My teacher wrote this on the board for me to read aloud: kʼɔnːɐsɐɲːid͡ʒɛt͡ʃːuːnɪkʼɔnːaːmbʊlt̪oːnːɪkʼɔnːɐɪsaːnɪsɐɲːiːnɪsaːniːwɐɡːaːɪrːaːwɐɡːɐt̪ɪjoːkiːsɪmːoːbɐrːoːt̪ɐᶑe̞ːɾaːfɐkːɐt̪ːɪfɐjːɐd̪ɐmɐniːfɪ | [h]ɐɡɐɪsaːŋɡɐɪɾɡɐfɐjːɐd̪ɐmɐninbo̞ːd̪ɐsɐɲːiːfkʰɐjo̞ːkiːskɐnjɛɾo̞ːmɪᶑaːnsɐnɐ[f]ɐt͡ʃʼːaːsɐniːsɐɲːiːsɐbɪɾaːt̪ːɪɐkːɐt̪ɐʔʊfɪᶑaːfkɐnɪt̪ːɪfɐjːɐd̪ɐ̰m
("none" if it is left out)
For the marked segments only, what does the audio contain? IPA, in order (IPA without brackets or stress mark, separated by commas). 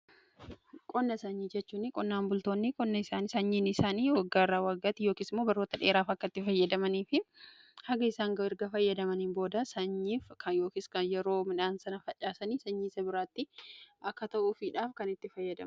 h, f